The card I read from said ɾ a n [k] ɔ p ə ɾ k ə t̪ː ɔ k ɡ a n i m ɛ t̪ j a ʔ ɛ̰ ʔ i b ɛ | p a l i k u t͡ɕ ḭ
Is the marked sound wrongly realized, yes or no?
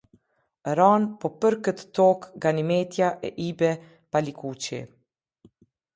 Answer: yes